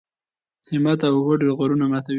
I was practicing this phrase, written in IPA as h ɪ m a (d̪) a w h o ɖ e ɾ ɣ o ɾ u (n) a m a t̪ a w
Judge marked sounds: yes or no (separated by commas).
no, yes